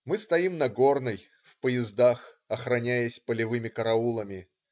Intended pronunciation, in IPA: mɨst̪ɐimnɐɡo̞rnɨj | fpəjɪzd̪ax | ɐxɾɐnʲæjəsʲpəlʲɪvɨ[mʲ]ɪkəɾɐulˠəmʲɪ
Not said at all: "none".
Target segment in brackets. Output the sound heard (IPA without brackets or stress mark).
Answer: mʲ